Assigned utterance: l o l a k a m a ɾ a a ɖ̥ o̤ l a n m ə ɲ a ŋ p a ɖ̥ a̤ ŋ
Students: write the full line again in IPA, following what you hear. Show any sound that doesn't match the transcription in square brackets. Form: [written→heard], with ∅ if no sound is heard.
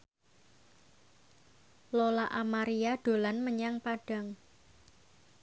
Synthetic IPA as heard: l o l a [k→ʔ] a m a ɾ [a→i] a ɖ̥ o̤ l a n m ə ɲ a ŋ p a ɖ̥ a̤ ŋ